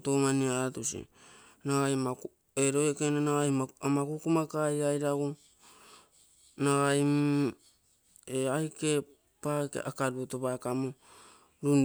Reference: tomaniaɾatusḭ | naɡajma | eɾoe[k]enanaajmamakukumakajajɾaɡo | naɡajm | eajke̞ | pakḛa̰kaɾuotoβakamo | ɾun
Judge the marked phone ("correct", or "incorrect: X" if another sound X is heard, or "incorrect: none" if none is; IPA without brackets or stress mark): correct